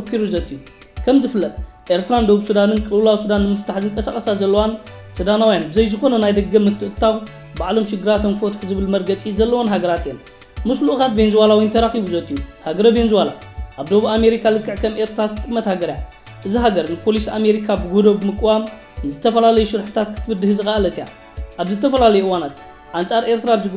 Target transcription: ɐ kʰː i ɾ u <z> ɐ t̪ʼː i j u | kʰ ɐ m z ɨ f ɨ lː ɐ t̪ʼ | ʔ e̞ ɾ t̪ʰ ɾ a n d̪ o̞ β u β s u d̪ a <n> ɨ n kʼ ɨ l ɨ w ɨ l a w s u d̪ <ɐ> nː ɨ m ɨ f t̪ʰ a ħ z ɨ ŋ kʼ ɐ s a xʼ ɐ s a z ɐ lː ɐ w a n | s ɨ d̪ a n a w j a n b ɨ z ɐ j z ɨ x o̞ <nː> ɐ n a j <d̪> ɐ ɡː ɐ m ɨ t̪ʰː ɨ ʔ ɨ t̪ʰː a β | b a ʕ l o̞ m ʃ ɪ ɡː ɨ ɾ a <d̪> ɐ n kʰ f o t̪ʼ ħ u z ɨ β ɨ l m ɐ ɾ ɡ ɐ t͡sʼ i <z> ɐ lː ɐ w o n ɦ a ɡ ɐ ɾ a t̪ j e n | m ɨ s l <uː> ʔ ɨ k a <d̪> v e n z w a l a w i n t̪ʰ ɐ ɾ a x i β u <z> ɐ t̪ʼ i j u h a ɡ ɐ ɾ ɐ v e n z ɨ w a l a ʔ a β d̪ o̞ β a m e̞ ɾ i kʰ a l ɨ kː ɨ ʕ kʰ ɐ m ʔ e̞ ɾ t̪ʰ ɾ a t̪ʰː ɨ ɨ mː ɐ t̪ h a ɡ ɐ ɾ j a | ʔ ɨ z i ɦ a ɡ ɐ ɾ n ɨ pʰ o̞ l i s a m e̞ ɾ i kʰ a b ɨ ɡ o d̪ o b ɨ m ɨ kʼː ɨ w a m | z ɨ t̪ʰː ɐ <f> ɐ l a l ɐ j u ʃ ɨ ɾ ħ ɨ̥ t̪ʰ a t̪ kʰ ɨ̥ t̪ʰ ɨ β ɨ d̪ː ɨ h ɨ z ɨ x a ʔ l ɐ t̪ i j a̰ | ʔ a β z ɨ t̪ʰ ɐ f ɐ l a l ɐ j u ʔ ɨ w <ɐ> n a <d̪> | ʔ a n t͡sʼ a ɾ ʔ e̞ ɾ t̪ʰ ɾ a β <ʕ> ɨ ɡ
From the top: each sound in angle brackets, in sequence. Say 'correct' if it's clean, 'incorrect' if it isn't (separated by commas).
correct, correct, incorrect, incorrect, correct, incorrect, correct, incorrect, incorrect, correct, correct, incorrect, incorrect, incorrect